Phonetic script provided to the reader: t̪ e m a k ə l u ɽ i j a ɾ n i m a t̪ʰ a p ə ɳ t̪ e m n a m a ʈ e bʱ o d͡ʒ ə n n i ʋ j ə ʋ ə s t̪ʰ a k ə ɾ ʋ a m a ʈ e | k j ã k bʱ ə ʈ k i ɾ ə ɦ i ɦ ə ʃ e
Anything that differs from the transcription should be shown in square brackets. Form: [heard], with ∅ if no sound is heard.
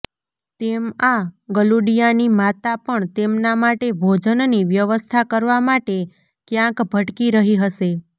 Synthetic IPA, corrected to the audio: t̪ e m a [ɡ] ə l u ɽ i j a [∅] n i m a [t̪] a p ə ɳ t̪ e m n a m a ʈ e bʱ o d͡ʒ ə n n i ʋ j ə ʋ ə s t̪ʰ a k ə ɾ ʋ a m a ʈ e | k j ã k bʱ ə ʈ k i ɾ ə ɦ i ɦ ə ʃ e